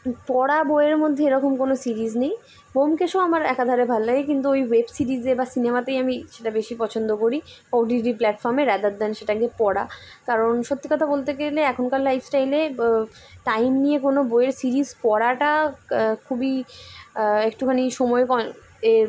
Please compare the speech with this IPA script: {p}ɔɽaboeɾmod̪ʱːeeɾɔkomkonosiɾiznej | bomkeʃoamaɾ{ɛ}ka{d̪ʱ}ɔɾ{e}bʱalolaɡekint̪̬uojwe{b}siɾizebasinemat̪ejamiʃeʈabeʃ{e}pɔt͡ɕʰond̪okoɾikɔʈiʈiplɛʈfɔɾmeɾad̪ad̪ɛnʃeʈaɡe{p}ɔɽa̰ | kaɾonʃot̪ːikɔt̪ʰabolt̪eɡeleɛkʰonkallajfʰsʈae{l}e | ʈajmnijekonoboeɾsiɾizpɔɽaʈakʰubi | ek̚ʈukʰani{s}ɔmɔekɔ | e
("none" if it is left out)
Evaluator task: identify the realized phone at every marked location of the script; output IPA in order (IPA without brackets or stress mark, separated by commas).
p, ɛ, d̪ʱ, e, b, i, p, l, ʃ